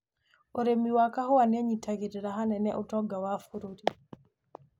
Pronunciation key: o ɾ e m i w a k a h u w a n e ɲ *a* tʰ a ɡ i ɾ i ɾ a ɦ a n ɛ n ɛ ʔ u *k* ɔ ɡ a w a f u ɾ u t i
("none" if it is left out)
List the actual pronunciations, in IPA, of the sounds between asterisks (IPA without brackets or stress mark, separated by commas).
i, t